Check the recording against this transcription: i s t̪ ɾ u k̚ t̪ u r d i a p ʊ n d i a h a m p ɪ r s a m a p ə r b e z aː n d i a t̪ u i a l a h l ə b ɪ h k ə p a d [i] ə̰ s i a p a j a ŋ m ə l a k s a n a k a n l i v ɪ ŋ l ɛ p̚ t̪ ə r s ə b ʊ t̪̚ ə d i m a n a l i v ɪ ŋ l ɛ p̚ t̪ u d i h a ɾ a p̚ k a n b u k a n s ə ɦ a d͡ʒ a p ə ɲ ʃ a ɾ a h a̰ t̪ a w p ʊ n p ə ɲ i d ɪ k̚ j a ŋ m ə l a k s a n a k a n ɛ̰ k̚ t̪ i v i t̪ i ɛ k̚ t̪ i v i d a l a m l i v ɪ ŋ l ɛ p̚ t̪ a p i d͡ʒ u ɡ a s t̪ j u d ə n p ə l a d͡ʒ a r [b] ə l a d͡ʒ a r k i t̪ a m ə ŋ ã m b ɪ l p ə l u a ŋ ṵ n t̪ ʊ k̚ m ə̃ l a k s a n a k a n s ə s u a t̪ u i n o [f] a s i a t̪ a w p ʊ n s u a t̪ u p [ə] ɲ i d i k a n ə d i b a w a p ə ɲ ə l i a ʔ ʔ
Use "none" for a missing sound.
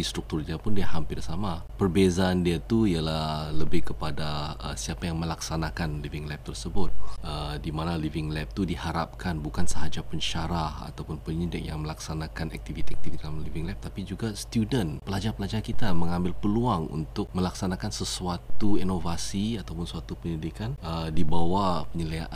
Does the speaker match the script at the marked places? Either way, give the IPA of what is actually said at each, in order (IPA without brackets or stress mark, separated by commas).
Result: a, p, v, ə